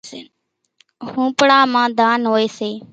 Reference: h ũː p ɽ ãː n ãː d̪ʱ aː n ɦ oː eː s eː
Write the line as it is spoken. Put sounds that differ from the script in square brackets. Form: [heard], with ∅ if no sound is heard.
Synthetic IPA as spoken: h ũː p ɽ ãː [m] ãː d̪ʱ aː n ɦ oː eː s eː